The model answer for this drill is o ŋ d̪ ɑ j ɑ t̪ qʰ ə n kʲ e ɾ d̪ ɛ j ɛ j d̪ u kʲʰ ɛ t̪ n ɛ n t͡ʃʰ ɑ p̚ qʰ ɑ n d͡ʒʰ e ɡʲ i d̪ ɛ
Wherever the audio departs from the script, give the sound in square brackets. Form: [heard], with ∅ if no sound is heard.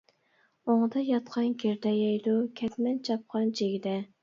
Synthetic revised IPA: o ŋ d̪ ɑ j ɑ t̪ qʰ [ɑ] n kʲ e ɾ d̪ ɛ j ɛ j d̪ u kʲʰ ɛ t̪ [m] ɛ n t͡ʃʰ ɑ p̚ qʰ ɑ n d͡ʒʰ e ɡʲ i d̪ ɛ